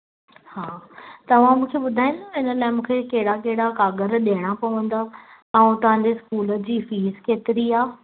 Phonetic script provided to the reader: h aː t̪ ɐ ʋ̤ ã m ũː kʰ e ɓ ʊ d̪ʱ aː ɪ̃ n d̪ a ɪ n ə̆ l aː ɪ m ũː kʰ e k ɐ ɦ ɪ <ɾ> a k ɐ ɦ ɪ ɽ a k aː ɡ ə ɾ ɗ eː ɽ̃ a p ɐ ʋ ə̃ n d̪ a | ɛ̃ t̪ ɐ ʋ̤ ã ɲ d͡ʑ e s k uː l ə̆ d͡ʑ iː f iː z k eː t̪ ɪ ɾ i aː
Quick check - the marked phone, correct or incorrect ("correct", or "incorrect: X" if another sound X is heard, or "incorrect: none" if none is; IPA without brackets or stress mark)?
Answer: incorrect: ɽ